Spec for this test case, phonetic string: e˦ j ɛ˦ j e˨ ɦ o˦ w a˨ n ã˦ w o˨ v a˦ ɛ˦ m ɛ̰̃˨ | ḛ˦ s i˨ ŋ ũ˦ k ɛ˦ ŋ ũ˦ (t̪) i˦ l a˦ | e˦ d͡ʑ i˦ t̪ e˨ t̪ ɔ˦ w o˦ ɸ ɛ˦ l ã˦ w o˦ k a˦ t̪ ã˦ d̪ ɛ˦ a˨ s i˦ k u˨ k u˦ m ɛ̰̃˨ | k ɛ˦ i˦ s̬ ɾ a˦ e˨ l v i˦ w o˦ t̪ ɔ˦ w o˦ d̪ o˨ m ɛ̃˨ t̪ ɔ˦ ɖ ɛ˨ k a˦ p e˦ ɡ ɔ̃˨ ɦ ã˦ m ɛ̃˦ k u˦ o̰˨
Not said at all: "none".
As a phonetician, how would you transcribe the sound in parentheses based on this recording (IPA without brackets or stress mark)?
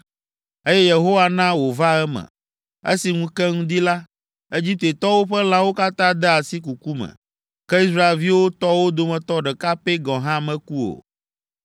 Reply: d̪